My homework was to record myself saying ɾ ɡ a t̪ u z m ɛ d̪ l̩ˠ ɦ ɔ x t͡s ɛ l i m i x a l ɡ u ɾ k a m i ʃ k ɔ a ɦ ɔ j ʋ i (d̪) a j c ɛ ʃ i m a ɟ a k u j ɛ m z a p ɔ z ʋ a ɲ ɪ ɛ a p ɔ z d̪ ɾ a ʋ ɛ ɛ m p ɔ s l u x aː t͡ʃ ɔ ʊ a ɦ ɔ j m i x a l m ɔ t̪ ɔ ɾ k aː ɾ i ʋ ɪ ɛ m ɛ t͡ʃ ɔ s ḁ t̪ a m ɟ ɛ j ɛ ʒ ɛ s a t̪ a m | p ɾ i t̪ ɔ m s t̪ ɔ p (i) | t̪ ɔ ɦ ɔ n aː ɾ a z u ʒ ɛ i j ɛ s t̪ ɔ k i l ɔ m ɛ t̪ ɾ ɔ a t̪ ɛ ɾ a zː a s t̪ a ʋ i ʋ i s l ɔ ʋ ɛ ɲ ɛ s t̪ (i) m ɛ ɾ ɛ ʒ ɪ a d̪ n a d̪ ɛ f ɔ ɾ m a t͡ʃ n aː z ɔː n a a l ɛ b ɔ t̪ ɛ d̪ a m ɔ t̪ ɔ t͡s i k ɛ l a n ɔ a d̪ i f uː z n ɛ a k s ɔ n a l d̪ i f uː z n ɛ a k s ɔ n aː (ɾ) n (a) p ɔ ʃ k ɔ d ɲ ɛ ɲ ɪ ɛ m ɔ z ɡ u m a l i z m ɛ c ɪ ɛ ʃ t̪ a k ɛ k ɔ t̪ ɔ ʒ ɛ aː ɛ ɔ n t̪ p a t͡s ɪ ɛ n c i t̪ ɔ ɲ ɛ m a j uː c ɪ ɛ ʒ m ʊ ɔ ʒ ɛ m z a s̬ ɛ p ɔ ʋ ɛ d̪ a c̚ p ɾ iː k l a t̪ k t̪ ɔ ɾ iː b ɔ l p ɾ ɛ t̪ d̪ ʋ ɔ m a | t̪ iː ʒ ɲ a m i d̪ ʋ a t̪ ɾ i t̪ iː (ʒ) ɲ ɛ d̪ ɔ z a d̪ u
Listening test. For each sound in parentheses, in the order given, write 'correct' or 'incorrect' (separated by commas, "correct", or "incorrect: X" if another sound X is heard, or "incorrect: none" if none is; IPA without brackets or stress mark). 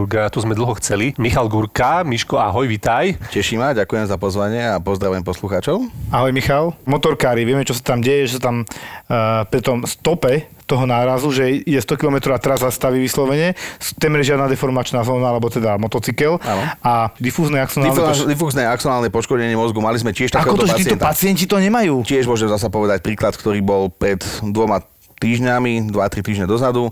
incorrect: t̪, incorrect: ɛ, incorrect: ɛ, incorrect: l, incorrect: ɛ, correct